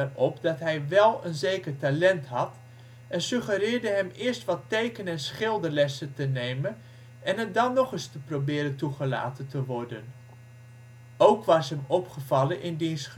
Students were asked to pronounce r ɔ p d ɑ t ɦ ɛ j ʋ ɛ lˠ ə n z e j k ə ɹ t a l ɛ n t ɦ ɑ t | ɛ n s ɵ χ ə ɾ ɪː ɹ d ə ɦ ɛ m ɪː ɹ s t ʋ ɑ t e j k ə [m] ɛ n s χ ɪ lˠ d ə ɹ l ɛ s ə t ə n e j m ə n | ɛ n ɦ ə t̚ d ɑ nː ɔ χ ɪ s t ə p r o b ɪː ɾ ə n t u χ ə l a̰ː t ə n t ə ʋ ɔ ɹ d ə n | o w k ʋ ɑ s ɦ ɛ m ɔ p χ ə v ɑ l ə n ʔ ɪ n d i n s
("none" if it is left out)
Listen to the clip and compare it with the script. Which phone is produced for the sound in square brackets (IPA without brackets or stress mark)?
n